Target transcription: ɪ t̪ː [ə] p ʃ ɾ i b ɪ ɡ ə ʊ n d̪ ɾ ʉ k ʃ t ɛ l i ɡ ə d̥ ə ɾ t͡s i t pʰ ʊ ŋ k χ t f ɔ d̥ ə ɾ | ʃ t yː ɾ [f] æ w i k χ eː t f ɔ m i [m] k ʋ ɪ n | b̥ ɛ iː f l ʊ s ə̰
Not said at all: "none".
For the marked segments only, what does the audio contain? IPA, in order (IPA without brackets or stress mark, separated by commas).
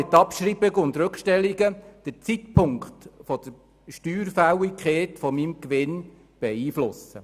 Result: ɑ, f, m